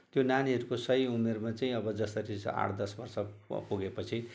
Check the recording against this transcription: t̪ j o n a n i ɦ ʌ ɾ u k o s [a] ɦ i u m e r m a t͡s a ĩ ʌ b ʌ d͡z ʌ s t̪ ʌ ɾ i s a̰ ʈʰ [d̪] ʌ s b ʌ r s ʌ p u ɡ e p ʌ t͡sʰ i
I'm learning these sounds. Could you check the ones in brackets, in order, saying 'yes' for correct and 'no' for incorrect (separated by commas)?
no, yes